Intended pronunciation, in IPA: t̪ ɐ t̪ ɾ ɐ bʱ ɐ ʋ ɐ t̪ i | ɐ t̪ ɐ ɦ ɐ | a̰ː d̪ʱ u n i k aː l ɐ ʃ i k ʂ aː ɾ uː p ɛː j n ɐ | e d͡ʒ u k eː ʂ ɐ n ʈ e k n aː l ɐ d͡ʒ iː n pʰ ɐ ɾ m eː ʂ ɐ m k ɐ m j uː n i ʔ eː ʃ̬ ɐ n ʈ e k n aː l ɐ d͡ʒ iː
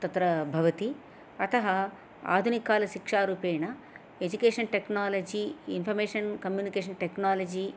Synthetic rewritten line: t̪ ɐ t̪ ɾ ɐ bʱ ɐ ʋ ɐ t̪ i | ɐ t̪ ɐ ɦ ɐ | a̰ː d̪ʱ u n i k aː l ɐ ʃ i k ʂ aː ɾ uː p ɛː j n ɐ | e d͡ʒ u k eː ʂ ɐ n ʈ e k n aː l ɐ d͡ʒ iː n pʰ ɐ ɾ m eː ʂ ɐ n k ɐ m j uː n i k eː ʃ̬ ɐ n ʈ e k n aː l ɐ d͡ʒ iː